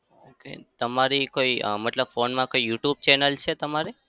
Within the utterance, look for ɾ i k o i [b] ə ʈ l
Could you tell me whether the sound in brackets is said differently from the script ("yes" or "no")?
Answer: yes